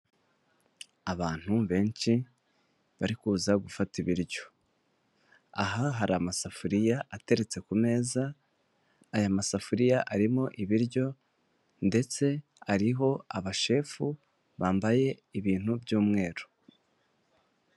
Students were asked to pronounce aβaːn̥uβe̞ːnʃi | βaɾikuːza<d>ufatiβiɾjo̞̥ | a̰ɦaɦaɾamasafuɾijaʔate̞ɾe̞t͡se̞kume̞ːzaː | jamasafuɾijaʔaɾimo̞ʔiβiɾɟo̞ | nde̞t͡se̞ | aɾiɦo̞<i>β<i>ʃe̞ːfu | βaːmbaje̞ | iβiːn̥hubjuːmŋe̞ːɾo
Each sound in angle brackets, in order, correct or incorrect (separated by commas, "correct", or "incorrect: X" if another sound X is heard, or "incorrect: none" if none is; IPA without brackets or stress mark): incorrect: ɡ, incorrect: a, incorrect: a